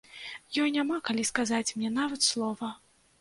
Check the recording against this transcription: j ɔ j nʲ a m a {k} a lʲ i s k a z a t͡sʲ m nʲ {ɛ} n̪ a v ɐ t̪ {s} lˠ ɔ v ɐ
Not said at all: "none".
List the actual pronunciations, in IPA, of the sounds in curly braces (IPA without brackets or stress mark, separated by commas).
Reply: k, ɛ, s